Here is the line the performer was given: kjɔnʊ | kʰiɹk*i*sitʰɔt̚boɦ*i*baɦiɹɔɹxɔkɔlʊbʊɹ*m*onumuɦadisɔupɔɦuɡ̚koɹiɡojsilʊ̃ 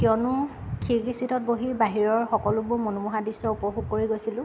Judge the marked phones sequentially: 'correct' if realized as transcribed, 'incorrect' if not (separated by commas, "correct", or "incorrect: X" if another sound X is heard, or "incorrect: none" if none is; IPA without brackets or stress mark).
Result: correct, correct, correct